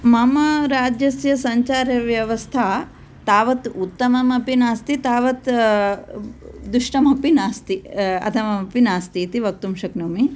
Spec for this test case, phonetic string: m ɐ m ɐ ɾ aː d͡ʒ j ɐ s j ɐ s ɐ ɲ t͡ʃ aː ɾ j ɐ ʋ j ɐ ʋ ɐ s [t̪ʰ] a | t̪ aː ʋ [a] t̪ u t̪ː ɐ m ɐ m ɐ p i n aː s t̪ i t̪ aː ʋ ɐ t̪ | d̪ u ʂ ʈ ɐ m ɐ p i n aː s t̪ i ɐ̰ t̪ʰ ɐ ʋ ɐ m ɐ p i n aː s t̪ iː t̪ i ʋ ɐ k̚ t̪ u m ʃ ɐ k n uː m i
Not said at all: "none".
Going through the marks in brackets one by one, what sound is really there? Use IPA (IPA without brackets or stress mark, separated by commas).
t̪ʰ, ɐ